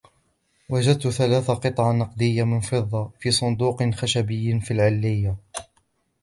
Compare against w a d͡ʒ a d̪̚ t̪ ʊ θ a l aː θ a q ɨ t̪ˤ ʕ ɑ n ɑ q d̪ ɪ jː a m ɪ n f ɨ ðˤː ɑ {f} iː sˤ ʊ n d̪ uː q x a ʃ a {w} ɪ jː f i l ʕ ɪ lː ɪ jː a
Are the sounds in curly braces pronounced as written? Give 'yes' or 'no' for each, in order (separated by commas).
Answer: yes, no